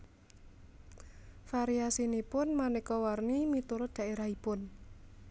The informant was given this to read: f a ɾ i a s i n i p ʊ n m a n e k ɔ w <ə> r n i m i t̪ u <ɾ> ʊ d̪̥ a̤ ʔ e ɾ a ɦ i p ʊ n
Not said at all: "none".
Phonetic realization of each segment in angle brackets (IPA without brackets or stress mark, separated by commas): a, ɾ